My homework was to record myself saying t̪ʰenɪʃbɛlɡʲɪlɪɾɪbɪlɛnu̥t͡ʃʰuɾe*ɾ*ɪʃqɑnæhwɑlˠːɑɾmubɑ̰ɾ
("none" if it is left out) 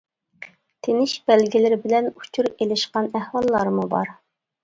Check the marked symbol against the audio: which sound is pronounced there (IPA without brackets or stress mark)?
l